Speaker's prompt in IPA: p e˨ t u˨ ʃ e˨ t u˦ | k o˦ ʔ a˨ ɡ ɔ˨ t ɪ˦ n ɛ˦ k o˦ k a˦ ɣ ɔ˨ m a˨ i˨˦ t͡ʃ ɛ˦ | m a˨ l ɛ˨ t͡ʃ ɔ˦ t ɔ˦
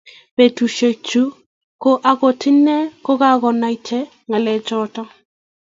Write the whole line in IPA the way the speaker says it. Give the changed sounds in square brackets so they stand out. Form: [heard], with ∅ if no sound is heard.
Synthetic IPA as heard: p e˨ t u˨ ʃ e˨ [t͡ʃ] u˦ | k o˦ ʔ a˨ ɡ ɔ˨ t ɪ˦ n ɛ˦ k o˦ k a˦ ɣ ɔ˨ [n] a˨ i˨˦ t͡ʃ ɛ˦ | [ŋ] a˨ l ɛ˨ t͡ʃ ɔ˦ t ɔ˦